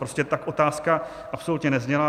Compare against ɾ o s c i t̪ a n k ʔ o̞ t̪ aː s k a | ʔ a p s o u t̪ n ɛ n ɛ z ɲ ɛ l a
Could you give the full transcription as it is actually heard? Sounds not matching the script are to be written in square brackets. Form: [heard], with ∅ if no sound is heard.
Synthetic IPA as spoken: ɾ o s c [ɛ] t̪ a [∅] k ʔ o̞ t̪ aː s k a | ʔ a p s o u t̪ [ɲ] ɛ n ɛ z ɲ ɛ l a